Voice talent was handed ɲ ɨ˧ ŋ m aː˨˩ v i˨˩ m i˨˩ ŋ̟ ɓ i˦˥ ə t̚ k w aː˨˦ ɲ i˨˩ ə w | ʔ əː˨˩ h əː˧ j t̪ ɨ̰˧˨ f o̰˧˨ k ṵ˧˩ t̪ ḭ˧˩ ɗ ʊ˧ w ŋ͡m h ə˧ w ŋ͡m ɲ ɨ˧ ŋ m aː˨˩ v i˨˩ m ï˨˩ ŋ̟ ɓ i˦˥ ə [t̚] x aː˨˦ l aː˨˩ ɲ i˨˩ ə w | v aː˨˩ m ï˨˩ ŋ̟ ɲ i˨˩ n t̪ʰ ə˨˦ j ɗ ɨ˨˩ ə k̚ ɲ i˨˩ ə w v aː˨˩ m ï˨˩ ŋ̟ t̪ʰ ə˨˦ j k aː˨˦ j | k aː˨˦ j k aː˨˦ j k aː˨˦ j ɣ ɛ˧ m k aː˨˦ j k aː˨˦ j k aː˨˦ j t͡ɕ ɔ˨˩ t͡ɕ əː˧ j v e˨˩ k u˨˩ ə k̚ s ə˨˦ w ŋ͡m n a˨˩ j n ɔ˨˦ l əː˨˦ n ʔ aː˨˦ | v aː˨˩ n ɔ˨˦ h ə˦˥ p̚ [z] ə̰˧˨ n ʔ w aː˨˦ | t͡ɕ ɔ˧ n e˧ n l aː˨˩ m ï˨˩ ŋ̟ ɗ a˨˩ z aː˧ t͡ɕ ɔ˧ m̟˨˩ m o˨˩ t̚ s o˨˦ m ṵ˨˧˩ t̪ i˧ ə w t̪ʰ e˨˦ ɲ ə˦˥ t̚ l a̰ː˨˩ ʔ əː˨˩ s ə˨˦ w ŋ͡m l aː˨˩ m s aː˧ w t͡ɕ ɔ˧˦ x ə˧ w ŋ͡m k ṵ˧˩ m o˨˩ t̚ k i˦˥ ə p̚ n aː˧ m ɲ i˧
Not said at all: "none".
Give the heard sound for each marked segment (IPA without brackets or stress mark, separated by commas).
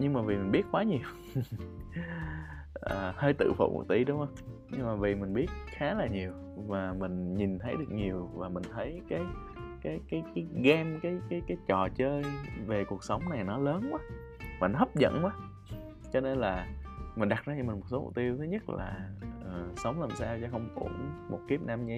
t̚, z